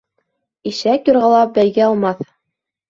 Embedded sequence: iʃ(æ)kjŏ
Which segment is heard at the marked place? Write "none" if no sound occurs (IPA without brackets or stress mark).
æ